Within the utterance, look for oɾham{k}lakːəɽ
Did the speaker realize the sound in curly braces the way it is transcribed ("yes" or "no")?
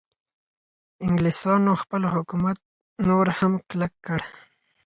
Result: yes